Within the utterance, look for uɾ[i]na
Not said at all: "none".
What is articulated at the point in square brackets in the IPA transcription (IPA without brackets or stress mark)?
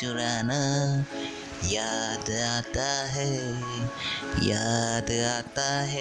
a